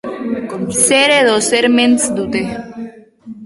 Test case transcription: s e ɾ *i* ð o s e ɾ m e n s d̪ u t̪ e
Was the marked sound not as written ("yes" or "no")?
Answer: yes